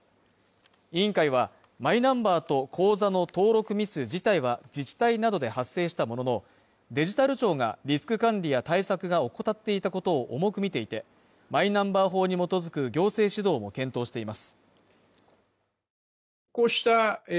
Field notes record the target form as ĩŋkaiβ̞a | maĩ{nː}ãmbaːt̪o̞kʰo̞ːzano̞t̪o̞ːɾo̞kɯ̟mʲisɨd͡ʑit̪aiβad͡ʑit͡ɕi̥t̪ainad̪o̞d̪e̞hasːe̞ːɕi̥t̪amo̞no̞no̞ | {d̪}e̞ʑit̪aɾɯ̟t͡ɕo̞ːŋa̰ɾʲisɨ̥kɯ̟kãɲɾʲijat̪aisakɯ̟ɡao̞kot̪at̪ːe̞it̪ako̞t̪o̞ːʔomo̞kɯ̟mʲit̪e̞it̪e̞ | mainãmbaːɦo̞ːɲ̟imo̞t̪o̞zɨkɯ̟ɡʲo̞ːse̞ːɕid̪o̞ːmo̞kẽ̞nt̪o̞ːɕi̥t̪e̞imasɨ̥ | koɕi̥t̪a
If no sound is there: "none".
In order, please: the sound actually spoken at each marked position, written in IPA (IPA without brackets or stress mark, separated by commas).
n, d̪